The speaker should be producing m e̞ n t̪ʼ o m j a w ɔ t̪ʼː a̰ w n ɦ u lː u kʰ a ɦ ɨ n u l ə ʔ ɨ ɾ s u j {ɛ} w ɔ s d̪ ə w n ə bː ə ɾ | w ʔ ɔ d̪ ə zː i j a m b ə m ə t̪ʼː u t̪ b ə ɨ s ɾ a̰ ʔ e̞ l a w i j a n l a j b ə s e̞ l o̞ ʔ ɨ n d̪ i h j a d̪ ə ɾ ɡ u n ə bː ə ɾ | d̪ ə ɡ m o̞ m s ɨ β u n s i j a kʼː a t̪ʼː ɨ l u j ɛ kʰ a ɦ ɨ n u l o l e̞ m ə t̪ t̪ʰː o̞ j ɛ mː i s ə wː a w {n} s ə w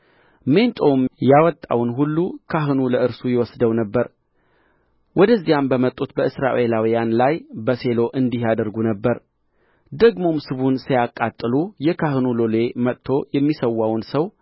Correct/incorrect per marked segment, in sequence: correct, correct

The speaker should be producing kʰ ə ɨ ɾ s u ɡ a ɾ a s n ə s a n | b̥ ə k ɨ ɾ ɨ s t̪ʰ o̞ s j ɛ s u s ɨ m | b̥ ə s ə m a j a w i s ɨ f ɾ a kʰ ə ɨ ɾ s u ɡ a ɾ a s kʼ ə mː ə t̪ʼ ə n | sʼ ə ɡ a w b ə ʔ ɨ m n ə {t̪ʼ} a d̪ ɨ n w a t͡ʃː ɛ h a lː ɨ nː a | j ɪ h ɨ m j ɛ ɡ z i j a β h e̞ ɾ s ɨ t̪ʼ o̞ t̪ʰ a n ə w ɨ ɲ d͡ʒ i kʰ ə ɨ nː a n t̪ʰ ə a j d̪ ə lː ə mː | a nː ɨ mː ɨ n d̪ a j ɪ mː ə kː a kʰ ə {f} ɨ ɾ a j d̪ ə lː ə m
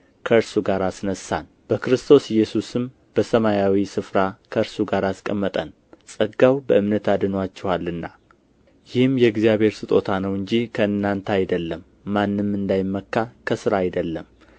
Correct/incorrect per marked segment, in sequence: incorrect, incorrect

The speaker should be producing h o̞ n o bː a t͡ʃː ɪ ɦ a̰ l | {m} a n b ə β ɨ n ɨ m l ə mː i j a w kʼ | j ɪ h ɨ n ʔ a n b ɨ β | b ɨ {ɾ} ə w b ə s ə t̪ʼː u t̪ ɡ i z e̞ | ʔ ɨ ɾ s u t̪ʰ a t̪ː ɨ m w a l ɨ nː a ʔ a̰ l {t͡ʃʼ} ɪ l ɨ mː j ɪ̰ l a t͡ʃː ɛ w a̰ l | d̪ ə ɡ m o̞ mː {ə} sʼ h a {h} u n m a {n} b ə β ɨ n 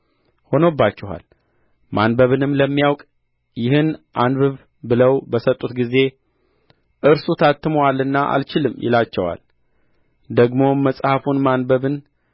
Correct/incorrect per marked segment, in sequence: correct, incorrect, incorrect, correct, incorrect, correct

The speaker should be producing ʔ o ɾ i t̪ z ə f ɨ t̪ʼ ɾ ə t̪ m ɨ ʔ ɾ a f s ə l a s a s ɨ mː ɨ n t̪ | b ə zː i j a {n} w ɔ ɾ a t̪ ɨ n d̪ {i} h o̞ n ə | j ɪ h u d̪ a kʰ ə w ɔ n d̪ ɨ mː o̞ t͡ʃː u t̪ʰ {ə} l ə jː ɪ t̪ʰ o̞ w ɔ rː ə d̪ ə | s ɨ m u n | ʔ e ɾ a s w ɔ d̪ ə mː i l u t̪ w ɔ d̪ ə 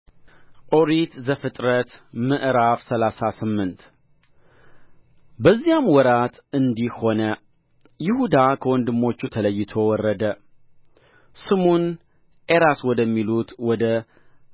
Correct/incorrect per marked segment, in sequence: incorrect, correct, correct

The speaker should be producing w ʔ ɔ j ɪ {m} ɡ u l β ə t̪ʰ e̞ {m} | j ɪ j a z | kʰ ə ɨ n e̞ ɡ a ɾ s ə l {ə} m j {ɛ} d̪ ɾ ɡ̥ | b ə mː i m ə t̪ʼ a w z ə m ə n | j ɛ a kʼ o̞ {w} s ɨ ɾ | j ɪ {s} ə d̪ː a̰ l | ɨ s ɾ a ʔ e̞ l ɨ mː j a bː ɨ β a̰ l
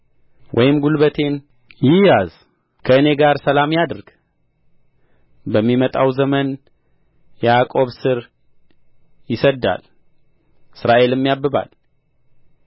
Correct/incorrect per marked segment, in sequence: correct, incorrect, incorrect, incorrect, incorrect, correct

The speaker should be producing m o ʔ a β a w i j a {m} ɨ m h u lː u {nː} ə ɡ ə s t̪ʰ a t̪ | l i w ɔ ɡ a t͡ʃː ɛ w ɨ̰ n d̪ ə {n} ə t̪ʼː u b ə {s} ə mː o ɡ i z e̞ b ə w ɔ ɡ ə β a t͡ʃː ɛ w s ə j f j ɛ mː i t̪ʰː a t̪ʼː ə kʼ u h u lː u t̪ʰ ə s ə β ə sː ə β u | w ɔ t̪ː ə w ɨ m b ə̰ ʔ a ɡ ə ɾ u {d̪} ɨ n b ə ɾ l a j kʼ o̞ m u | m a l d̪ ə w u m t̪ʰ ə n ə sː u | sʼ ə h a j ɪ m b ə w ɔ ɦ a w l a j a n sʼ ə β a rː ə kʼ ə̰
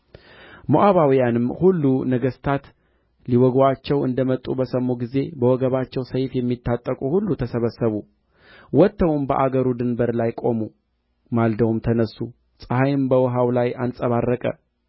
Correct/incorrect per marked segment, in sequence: incorrect, incorrect, incorrect, correct, correct

